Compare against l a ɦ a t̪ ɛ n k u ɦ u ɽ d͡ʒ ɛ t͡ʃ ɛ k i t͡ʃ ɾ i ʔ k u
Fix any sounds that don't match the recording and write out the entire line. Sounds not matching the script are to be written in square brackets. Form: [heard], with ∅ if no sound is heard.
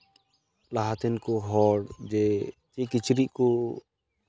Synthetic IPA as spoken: l a ɦ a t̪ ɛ n k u ɦ [ɔ] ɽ d͡ʒ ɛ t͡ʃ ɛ k i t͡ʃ ɾ i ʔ k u

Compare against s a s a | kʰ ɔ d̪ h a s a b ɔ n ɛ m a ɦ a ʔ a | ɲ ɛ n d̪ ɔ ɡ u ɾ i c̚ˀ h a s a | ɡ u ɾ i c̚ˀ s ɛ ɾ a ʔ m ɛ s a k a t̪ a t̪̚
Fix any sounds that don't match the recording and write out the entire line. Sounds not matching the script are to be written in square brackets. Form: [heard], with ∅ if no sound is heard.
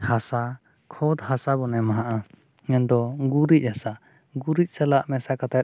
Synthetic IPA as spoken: [h] a s a | kʰ ɔ d̪ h a s a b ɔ n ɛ m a ɦ a ʔ a | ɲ ɛ n d̪ ɔ ɡ u ɾ i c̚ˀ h a s a | ɡ u ɾ i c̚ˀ s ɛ [l] a ʔ m ɛ s a k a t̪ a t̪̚

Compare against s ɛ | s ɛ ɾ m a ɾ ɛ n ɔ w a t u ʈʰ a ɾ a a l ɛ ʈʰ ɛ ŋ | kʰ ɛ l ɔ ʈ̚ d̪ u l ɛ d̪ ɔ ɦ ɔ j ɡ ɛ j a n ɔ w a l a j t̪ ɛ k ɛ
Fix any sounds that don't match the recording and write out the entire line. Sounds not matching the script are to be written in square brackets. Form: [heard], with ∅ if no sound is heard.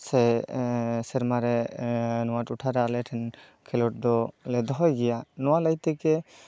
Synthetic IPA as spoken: s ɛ | s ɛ ɾ m a ɾ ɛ n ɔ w a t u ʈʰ a ɾ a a l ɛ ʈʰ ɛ [n] | kʰ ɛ l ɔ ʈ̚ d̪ [ɔ] l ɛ d̪ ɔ ɦ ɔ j ɡ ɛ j a n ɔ w a l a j t̪ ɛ k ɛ

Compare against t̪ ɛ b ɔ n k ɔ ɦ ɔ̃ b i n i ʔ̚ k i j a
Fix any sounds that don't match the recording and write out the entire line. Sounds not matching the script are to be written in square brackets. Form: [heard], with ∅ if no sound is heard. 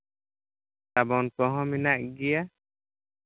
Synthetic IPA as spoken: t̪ [a] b ɔ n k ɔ ɦ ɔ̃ [m] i n [a] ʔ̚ [ɡ] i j a

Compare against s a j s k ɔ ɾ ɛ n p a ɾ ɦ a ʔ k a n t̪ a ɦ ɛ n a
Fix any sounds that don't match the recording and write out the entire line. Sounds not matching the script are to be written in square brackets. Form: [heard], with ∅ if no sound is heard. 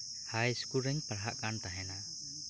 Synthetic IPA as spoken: [h] a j s k [u] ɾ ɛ [ŋ] p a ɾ ɦ a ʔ k a n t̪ a ɦ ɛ n a

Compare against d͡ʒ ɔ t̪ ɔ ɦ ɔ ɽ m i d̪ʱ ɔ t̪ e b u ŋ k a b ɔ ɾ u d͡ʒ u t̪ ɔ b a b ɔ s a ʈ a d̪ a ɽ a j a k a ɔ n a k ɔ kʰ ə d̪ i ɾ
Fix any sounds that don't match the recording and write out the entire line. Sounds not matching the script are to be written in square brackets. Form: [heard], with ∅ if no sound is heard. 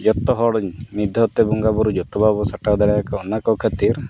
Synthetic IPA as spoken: d͡ʒ ɔ t̪ ɔ ɦ ɔ ɽ m i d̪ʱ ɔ t̪ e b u ŋ [ɡ] a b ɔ ɾ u d͡ʒ [ɔ] t̪ ɔ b a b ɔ s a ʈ a d̪ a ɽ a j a k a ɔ n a k ɔ kʰ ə [t̪] i ɾ

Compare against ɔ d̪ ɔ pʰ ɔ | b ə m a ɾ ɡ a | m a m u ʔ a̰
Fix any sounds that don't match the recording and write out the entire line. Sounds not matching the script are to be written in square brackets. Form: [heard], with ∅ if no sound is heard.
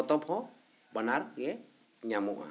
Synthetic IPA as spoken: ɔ [t̪] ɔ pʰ ɔ | b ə [n] a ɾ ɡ [ɛ] | [ɲ] a m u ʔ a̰

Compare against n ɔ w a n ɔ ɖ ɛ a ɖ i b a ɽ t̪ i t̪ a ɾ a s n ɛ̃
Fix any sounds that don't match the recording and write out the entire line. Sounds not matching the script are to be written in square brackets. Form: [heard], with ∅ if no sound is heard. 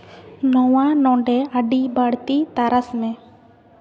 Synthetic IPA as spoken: n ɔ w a n ɔ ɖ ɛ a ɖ i b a ɽ t̪ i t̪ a ɾ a s [m] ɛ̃

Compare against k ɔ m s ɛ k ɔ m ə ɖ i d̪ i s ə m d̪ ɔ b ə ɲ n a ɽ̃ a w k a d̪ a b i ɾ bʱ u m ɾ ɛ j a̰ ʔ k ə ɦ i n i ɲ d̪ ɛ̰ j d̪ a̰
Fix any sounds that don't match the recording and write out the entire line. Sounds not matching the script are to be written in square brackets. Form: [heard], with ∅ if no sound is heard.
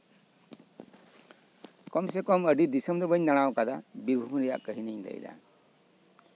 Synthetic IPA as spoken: k ɔ m s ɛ k ɔ m ə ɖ i d̪ i s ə m d̪ ɔ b ə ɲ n a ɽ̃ a w k a d̪ a b i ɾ bʱ u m ɾ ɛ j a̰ ʔ k ə ɦ i n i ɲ d̪ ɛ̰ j d̪ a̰

